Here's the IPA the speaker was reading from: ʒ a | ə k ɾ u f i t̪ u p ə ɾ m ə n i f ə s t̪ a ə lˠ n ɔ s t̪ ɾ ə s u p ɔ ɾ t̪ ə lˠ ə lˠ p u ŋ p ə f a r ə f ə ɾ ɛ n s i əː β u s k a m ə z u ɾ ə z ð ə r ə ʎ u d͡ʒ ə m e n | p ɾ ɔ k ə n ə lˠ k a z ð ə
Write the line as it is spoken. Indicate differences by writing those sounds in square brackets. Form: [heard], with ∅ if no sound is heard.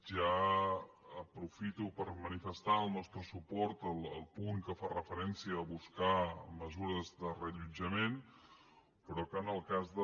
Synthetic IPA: ʒ a | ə [p] ɾ u f i t̪ u p ə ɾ m ə n i f ə s t̪ a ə lˠ n ɔ s t̪ ɾ ə s u p ɔ ɾ t̪ ə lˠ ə lˠ p u ŋ [k] ə f a r ə f ə ɾ ɛ n s i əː β u s k a m ə z u ɾ ə z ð ə r ə ʎ u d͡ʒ ə m e n | p ɾ ɔ k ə n ə lˠ k a z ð ə